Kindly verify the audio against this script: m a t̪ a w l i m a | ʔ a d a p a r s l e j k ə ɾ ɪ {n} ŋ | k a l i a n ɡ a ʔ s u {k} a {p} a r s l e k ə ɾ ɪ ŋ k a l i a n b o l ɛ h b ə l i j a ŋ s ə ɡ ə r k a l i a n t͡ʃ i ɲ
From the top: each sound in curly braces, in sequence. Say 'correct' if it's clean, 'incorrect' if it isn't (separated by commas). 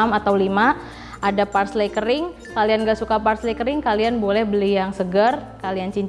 incorrect, correct, correct